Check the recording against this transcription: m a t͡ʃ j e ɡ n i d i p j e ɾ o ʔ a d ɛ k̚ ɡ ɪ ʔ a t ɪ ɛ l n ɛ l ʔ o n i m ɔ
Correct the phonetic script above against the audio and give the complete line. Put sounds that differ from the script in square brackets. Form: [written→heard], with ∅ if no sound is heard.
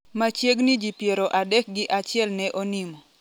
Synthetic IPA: m a t͡ʃ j e ɡ n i [d→d͡ʒ] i p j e ɾ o ʔ a d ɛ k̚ ɡ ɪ ʔ a [t→t͡ʃ] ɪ ɛ l n ɛ [l→∅] ʔ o n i m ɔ